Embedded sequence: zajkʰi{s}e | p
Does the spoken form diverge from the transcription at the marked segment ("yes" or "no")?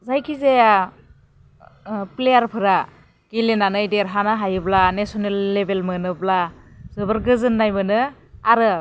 yes